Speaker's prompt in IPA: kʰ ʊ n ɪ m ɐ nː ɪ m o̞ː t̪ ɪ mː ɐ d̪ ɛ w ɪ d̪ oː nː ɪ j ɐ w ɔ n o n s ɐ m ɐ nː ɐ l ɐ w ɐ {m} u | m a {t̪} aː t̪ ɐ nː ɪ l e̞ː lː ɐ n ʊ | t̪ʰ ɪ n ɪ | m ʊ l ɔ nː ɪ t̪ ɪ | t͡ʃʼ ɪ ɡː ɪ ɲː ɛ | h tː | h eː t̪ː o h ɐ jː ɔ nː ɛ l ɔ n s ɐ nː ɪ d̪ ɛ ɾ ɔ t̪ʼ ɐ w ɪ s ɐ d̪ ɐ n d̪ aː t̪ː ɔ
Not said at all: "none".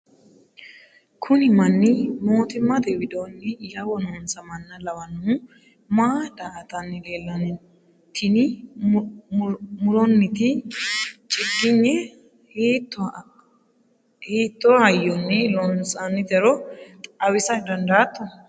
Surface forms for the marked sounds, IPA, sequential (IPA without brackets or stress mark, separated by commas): n, d̪